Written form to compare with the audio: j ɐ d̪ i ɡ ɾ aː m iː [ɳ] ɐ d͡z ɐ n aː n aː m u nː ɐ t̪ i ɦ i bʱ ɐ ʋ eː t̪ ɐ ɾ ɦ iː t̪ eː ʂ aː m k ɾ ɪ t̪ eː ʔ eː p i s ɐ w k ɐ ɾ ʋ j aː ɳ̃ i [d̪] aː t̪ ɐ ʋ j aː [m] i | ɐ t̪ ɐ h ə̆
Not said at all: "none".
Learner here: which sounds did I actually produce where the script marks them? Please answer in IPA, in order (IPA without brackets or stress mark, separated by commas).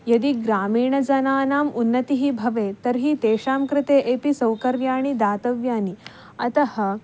ɳ, d̪, n